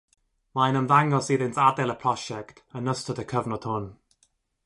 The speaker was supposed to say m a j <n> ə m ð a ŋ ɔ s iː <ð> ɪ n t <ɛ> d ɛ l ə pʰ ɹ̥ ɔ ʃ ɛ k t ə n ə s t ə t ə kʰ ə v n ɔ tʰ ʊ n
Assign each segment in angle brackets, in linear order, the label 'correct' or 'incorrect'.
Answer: correct, correct, incorrect: a

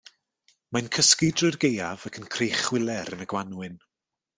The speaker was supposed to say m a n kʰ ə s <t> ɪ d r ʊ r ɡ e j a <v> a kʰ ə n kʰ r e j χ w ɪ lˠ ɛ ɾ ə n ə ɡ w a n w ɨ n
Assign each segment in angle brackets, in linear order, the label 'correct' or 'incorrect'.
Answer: incorrect: k, correct

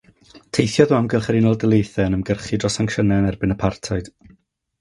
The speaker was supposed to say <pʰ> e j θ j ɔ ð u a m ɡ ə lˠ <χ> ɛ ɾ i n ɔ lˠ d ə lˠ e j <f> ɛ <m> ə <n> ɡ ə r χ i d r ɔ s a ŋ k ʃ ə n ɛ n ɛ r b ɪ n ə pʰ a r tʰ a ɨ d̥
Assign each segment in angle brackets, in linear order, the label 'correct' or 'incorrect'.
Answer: incorrect: tʰ, correct, incorrect: θ, incorrect: n, incorrect: m

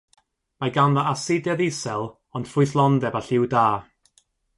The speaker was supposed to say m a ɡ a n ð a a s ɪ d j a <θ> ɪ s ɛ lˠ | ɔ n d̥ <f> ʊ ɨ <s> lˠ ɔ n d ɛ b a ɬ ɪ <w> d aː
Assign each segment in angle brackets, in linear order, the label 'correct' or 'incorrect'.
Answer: incorrect: ð, correct, incorrect: θ, correct

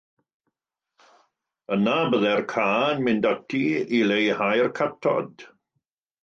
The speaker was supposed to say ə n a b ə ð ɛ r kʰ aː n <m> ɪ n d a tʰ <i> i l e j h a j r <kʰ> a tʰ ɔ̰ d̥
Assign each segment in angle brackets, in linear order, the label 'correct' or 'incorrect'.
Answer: correct, correct, correct

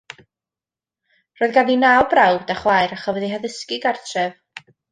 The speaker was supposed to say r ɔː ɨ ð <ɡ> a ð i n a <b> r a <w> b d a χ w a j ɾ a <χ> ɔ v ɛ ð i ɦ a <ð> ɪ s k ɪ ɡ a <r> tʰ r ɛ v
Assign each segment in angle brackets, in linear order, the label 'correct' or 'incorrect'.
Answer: correct, correct, correct, correct, correct, correct

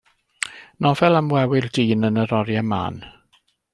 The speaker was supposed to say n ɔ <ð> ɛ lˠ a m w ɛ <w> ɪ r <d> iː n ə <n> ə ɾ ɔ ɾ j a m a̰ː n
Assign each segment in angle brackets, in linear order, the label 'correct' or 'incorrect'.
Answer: incorrect: v, correct, correct, correct

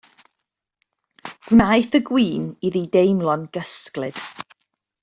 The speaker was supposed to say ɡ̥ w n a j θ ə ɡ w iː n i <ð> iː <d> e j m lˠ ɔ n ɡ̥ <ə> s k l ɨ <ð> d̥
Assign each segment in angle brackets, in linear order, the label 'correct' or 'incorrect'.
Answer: correct, correct, correct, incorrect: none

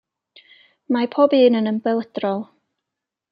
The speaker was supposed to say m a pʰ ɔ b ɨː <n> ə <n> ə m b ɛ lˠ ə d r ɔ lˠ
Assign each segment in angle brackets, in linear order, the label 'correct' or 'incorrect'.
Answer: correct, correct

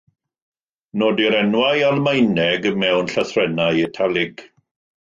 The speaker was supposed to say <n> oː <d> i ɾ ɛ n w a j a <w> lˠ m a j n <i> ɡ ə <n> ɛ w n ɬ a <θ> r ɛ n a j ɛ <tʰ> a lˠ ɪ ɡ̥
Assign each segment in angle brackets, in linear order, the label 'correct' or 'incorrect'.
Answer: correct, correct, incorrect: none, incorrect: ɛ, incorrect: m, correct, correct

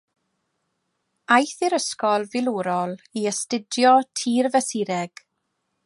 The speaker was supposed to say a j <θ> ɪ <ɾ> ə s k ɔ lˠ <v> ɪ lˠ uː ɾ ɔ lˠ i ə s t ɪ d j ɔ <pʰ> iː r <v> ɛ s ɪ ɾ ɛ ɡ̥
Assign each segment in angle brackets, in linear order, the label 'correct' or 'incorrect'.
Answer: correct, correct, correct, incorrect: tʰ, correct

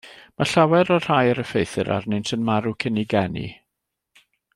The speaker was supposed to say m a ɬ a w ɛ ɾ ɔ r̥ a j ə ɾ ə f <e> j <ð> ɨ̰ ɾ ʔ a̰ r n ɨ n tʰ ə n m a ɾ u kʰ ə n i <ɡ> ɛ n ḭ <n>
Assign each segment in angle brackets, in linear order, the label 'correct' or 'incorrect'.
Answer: correct, incorrect: θ, correct, incorrect: none

